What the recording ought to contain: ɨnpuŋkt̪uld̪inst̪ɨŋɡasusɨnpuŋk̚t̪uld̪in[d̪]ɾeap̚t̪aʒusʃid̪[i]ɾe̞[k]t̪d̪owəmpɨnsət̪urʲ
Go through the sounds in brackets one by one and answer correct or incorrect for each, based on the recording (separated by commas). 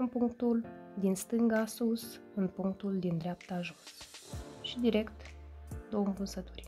correct, correct, correct